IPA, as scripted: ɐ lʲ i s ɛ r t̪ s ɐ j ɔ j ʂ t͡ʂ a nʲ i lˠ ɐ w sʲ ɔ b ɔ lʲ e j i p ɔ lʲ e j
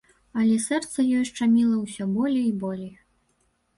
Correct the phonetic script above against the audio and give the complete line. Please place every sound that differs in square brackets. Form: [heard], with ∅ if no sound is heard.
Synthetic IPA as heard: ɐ lʲ [ɛ] s ɛ r t̪ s ɐ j ɔ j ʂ t͡ʂ a [mʲ] i lˠ ɐ w sʲ ɔ b ɔ lʲ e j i [b] ɔ lʲ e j